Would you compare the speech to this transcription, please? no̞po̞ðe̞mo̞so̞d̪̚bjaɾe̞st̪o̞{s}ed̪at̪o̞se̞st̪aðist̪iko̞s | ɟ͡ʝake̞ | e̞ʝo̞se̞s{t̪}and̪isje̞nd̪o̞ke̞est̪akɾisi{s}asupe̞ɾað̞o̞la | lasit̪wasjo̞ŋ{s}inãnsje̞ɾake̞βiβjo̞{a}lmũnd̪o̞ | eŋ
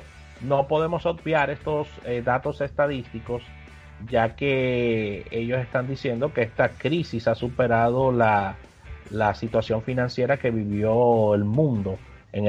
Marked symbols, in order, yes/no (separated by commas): yes, yes, yes, no, no